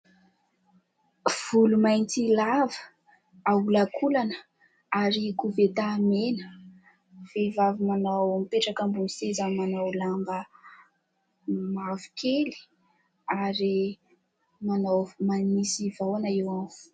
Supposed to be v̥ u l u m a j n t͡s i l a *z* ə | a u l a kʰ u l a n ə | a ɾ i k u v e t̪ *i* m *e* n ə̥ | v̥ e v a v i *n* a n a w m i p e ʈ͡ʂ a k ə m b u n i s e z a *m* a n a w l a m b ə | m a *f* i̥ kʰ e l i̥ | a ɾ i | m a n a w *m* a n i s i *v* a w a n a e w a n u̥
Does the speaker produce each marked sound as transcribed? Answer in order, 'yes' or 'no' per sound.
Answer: no, no, yes, no, yes, no, yes, yes

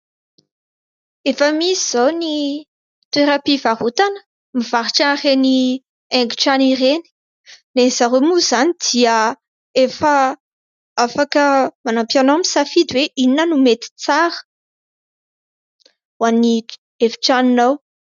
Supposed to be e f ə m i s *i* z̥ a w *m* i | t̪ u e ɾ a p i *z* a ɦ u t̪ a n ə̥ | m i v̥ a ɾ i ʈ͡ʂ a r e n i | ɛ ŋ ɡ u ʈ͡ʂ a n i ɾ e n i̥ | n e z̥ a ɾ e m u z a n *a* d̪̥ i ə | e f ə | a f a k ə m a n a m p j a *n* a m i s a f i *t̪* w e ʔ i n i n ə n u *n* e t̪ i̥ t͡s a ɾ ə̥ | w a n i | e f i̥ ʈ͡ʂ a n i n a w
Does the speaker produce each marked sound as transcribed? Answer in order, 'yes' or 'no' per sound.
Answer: yes, no, no, no, yes, no, no

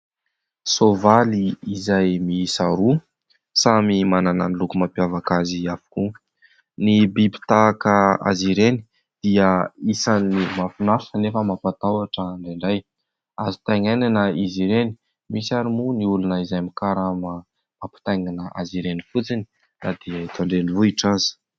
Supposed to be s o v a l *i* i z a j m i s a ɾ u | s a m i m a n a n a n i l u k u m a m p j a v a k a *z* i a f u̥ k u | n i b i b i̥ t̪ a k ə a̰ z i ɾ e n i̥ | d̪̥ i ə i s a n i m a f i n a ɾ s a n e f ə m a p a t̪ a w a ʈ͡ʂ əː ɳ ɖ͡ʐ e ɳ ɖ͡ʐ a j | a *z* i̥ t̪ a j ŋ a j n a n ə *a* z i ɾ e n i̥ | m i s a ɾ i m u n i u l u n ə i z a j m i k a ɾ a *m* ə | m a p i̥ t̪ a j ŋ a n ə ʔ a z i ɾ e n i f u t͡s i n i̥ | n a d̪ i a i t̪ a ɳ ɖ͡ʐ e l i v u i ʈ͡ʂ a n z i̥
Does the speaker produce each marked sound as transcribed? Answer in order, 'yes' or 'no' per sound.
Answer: yes, yes, yes, no, yes

